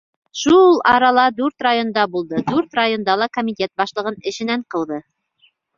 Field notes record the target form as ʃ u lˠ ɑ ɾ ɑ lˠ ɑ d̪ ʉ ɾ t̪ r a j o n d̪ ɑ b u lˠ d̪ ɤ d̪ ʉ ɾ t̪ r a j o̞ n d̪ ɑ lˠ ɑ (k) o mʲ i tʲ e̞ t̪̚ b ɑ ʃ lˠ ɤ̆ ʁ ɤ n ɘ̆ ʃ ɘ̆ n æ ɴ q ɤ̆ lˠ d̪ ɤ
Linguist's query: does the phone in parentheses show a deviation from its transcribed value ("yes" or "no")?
no